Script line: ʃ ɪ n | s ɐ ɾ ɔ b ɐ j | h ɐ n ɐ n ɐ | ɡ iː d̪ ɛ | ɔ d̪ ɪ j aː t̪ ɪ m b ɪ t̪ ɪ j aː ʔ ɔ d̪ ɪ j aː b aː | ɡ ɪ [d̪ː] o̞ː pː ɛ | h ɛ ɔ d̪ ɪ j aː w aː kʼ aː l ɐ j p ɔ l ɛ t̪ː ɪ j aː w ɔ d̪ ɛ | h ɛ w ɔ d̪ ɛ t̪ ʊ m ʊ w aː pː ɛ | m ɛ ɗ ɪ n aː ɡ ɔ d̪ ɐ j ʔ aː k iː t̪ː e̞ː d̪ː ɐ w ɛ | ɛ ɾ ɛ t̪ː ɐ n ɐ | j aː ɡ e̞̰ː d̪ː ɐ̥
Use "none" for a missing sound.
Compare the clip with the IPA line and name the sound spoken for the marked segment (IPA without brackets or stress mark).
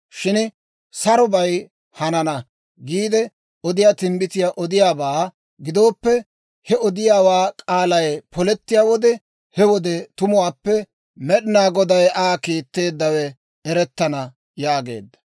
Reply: d̪